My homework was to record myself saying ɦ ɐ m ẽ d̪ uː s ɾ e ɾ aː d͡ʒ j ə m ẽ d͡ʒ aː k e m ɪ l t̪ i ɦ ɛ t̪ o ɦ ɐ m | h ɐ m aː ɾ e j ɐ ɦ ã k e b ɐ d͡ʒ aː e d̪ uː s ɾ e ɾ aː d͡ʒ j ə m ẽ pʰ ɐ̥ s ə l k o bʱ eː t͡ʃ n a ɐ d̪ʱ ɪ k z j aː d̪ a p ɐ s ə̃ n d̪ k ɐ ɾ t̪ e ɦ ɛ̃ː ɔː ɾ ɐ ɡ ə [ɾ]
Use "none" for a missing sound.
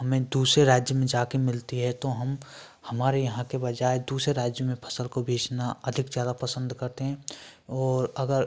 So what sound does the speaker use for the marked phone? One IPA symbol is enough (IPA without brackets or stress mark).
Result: ɾ